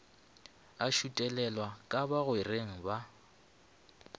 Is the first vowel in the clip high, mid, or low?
low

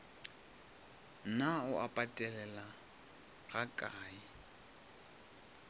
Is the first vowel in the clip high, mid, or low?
low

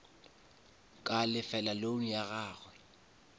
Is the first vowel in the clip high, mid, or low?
low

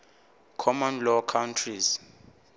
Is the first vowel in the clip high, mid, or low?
mid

